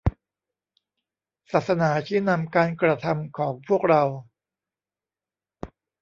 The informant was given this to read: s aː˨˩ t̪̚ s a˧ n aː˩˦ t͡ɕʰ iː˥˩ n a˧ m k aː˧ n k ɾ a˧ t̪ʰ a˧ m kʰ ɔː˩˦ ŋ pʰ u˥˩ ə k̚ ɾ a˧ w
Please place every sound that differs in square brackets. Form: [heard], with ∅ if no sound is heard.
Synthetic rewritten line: s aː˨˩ t̪̚ s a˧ n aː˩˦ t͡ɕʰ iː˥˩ n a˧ m k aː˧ n k ɾ a˧ t̪ʰ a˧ m kʰ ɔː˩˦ ŋ pʰ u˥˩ ə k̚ ɾ a˧ w